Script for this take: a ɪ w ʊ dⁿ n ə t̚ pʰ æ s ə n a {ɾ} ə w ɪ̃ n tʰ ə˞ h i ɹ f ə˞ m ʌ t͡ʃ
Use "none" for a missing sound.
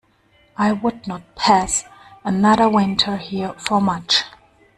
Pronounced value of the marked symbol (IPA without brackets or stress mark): ɾ